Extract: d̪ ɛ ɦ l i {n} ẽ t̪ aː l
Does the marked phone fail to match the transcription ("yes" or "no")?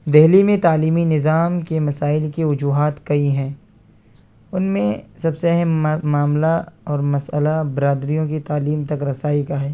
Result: yes